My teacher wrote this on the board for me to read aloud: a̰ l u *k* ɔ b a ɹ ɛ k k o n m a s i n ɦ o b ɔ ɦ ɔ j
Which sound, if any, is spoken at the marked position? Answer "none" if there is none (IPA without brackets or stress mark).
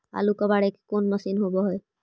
k